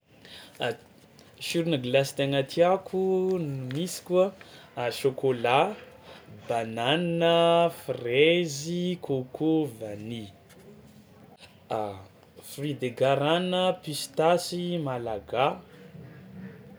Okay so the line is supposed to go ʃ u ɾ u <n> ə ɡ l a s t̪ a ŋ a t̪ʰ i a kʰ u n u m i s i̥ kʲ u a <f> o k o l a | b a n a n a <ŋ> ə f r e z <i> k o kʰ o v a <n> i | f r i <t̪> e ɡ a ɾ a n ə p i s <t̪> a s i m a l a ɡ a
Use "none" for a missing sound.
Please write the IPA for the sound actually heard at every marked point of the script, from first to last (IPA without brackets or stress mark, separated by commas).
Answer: n, ʃ, n, i, n, d̪, t̪